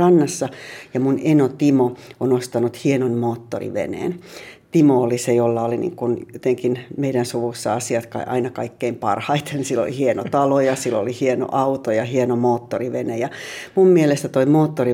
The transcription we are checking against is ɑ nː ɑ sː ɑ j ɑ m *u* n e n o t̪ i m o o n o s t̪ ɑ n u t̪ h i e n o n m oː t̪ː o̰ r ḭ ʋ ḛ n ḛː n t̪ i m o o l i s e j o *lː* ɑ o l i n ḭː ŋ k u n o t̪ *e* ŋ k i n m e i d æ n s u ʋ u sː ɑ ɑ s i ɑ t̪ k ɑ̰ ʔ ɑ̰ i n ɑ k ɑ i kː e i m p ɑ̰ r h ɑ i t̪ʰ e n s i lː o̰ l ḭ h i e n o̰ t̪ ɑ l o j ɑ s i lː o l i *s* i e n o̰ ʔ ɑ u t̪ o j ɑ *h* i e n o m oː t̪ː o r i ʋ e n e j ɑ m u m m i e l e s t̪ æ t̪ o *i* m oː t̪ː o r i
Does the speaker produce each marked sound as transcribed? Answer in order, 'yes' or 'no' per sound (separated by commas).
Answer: yes, yes, yes, no, yes, yes